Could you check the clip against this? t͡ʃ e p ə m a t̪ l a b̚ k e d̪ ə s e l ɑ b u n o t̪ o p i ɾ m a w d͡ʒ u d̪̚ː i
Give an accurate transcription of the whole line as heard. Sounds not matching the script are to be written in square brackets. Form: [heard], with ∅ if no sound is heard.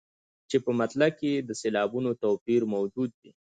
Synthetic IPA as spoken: t͡ʃ e p ə m a t̪ l a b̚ k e d̪ ə s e l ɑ b u n o t̪ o p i ɾ m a w d͡ʒ u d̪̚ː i